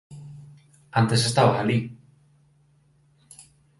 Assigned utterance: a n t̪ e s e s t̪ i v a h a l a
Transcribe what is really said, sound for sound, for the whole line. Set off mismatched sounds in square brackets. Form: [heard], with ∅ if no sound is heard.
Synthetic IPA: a n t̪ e s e s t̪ [a] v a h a l [i]